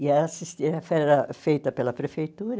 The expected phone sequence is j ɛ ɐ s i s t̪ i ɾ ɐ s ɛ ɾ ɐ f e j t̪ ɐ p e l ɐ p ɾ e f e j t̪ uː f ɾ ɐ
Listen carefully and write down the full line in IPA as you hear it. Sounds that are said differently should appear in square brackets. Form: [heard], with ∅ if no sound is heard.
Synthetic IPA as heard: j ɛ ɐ s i s t̪ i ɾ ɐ [f] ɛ ɾ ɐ f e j t̪ ɐ p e l ɐ p ɾ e f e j t̪ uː [∅] ɾ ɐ